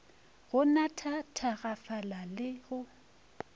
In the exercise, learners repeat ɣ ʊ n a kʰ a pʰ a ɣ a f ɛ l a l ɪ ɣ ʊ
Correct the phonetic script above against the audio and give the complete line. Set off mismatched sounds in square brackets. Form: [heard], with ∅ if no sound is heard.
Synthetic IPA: ɣ ʊ n a [tʰ] a [tʰ] a ɣ a f [a] l a l ɪ ɣ ʊ